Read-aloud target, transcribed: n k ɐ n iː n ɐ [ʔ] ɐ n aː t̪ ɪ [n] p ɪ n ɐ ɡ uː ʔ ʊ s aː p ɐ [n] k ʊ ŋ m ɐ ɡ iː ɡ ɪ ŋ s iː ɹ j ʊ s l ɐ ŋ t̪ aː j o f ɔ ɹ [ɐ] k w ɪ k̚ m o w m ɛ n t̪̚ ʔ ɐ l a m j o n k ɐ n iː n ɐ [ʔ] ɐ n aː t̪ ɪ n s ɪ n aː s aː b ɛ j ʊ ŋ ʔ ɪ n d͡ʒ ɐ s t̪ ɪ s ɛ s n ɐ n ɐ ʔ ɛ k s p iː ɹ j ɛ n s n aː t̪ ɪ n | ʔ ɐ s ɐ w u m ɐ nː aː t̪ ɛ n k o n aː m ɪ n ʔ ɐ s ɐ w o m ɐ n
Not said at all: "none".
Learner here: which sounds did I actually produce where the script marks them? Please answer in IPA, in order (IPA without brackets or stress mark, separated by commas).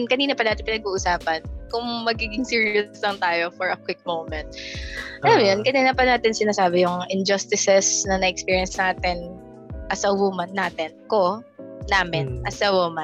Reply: p, n, n, ɐ, p